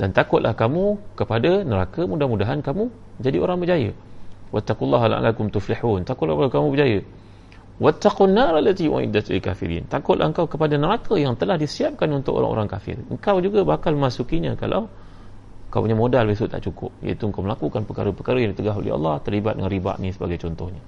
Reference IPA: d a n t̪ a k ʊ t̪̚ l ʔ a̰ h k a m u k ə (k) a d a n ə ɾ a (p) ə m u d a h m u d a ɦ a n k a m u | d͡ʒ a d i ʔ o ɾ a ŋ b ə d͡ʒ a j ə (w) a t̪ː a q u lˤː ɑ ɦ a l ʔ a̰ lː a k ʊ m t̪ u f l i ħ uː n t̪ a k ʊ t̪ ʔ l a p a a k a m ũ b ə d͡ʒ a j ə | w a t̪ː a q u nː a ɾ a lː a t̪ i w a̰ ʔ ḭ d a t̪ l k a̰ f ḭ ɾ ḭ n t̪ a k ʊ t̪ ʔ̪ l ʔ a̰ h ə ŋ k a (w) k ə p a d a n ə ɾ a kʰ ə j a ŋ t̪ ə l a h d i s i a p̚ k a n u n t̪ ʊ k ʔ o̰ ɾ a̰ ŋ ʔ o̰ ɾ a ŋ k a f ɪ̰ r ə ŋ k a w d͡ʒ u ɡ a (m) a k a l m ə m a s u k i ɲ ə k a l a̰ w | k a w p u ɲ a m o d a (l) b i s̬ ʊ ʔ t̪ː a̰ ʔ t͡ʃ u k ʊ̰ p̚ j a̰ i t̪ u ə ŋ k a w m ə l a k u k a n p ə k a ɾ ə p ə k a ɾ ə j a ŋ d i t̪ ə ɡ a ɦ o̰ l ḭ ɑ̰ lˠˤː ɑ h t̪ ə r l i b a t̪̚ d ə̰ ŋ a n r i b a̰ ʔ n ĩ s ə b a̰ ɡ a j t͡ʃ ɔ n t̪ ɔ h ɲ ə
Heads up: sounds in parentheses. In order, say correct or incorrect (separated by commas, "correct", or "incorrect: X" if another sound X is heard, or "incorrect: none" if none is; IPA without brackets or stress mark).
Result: incorrect: p, incorrect: k, correct, correct, incorrect: b, correct